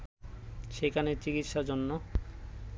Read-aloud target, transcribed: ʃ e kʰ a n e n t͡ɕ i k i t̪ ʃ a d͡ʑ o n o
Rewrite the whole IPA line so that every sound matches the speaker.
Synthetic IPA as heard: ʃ e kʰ a n e t͡ɕ i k i t̪ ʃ a d͡ʑ o nː o